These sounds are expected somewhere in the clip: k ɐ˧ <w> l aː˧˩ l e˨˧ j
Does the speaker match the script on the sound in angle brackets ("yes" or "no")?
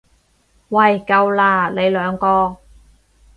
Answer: yes